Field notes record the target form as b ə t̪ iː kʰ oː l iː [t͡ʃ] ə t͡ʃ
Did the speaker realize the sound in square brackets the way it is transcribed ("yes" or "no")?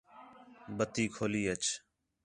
no